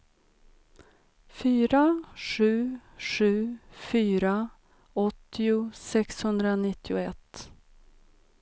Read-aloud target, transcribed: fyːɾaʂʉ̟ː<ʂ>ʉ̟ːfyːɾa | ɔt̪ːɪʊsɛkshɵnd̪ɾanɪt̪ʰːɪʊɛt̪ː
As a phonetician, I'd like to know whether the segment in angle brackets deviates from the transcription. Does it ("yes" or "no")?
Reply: no